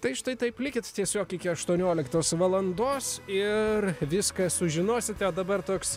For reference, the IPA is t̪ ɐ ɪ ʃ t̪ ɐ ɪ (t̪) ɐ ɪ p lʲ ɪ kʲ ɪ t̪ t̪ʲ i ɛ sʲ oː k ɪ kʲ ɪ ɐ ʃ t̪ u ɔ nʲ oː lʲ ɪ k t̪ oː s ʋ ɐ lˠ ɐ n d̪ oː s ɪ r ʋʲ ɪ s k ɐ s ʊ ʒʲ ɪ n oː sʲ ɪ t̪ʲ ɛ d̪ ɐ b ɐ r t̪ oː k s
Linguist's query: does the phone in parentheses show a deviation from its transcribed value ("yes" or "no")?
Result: no